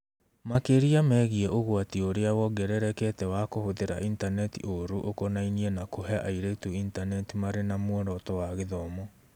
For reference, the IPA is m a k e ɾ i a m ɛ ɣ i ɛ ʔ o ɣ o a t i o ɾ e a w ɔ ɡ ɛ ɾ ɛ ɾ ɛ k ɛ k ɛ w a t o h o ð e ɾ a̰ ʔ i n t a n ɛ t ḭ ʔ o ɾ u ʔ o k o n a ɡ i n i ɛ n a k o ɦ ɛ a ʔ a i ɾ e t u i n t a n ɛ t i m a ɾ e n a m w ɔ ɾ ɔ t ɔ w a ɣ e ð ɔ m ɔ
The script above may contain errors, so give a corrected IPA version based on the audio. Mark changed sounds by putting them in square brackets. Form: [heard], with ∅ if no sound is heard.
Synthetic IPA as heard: m a k e ɾ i a m ɛ ɣ i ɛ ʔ o ɣ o a t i o ɾ e a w ɔ ɡ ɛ ɾ ɛ ɾ ɛ k ɛ [t] ɛ w a [k] o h o ð e ɾ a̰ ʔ i n t a n ɛ t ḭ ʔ o ɾ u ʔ o k o n a [∅] i n i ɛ n a k o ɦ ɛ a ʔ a i ɾ e t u i n t a n ɛ t i m a ɾ e n a m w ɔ ɾ ɔ t ɔ w a ɣ e ð ɔ m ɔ